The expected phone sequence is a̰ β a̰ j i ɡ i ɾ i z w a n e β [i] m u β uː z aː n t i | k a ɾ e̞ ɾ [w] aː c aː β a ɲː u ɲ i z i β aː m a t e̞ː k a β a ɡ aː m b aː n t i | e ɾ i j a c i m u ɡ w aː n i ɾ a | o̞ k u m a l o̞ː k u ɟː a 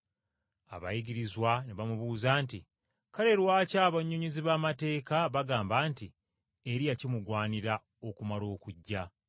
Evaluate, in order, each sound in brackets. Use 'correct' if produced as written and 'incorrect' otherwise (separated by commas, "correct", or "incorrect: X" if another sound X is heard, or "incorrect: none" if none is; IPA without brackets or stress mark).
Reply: incorrect: a, correct